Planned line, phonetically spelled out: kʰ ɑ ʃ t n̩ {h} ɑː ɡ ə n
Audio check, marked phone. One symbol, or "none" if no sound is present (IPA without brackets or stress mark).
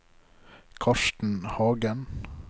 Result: h